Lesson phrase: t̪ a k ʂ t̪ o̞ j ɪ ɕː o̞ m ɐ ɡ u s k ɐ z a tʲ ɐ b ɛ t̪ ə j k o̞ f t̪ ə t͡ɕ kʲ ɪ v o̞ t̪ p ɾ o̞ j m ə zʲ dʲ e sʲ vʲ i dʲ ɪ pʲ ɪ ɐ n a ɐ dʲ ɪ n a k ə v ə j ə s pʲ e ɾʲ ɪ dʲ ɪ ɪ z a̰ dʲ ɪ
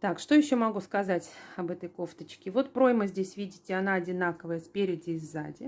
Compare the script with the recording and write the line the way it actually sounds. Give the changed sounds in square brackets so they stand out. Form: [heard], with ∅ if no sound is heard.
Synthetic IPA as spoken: t̪ a k ʂ t̪ o̞ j ɪ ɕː o̞ m ɐ ɡ u s k ɐ z a tʲ ɐ b ɛ t̪ ə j k o̞ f t̪ ə t͡ɕ kʲ ɪ v o̞ t̪ p ɾ o̞ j m ə zʲ dʲ e sʲ vʲ i dʲ ɪ [tʲ] ɪ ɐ n a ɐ dʲ ɪ n a k ə v ə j ə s pʲ e ɾʲ ɪ dʲ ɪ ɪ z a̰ dʲ ɪ